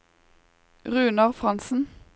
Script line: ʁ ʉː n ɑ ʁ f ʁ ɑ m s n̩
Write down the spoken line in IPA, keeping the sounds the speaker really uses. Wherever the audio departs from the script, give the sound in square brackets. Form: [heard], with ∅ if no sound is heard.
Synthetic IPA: ʁ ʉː n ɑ ʁ f ʁ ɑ [n] s n̩